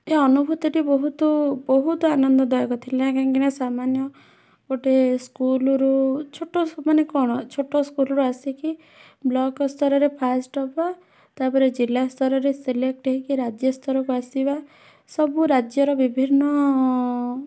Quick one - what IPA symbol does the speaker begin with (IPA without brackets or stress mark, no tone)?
e